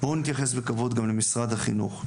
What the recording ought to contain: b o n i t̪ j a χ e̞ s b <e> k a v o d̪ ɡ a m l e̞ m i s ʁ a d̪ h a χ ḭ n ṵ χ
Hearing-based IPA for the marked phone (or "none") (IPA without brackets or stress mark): e